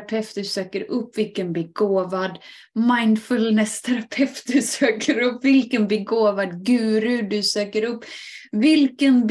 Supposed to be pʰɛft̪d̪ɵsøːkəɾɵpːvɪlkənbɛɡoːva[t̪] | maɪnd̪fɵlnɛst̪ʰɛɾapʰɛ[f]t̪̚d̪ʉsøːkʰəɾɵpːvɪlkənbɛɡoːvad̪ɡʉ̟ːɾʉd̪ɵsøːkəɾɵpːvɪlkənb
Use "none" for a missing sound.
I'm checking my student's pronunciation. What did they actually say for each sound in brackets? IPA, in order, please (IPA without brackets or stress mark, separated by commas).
d̪, f